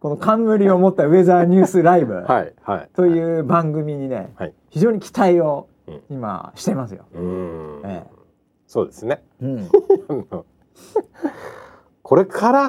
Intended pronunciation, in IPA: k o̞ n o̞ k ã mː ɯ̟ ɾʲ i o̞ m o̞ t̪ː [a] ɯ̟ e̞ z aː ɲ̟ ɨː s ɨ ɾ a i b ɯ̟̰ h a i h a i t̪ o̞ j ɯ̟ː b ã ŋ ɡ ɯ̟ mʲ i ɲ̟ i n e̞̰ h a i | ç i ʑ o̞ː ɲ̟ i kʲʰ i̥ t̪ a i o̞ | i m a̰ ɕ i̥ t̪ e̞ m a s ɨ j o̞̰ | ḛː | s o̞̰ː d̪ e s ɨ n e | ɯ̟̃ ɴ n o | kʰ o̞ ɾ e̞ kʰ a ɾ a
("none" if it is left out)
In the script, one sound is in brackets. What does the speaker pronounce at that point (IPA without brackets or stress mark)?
a